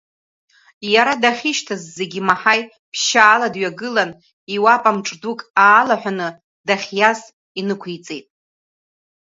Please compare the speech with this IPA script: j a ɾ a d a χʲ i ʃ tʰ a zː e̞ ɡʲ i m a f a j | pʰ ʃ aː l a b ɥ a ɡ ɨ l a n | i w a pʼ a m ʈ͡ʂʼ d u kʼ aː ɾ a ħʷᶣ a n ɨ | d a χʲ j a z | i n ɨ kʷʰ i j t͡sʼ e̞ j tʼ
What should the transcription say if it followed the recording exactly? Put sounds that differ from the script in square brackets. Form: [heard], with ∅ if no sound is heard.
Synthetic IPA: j a ɾ a d a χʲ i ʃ tʰ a zː e̞ ɡʲ i m a [ħ] a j | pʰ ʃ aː l a [d] ɥ a ɡ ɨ l a n | i w a pʼ a m ʈ͡ʂʼ d u kʼ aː [l] a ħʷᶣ a n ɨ | d a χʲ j a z | i n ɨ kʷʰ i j t͡sʼ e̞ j tʼ